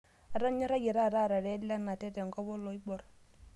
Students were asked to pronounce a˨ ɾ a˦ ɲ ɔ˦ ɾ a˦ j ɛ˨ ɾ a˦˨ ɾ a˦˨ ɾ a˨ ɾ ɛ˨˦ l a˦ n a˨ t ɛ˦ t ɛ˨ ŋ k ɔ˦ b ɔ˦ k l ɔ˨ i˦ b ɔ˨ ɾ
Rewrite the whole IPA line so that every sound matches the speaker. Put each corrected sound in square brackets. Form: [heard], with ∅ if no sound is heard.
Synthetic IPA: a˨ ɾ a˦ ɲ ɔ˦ ɾ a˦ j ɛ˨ ɾ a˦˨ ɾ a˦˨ ɾ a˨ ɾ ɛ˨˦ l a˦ n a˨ t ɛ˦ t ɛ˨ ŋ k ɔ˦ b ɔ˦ [∅] l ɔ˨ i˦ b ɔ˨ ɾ